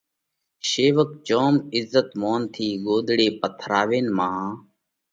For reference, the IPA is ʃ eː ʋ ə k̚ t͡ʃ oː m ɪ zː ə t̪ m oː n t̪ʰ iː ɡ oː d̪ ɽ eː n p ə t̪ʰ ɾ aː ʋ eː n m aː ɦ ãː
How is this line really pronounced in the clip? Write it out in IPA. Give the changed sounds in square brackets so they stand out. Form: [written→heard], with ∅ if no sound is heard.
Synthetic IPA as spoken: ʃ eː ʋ ə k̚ t͡ʃ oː m ɪ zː ə t̪ m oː n t̪ʰ iː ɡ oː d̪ ɽ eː [n→∅] p ə t̪ʰ ɾ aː ʋ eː n m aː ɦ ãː